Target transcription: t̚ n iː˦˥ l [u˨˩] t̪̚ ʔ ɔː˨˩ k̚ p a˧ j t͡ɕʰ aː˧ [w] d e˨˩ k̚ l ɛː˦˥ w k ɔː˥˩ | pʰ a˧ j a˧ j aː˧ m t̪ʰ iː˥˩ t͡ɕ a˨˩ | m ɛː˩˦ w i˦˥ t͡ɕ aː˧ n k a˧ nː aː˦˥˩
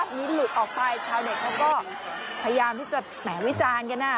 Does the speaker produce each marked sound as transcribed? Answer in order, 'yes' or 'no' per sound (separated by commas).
yes, yes